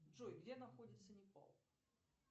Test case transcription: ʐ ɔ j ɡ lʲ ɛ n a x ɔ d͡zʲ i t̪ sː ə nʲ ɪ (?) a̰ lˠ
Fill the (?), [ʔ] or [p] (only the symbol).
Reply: p